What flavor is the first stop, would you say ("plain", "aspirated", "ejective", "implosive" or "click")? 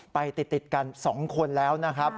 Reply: plain